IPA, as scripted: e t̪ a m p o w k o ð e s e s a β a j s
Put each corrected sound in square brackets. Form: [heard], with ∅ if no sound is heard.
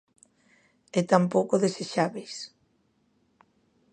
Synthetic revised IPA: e t̪ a m p o w k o ð e s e [ʃ] a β [e] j s